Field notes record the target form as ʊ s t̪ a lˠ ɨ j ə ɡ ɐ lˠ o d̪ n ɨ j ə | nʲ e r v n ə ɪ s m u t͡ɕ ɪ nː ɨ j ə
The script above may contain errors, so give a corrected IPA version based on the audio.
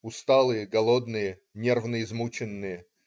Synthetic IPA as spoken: ʊ s t̪ a lˠ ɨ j ə ɡ ɐ lˠ o d̪ n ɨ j ə | nʲ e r v n ə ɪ z m u t͡ɕ ɪ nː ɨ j ə